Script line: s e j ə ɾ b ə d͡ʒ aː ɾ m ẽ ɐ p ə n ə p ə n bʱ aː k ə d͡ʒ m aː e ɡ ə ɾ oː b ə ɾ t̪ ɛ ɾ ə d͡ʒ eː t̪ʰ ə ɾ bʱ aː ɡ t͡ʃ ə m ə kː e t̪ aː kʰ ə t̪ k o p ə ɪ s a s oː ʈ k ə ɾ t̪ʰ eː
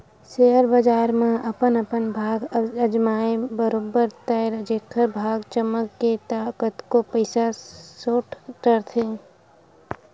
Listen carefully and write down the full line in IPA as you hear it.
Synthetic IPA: s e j ə ɾ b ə d͡ʒ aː ɾ m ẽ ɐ p ə n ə p ə n bʱ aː ɡ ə d͡ʒ m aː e b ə ɾ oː b ə ɾ t̪ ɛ ɾ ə d͡ʒ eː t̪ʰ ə ɾ bʱ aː ɡ t͡ʃ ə m ə kː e t̪ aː k ə t̪ k o p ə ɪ s a s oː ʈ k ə ɾ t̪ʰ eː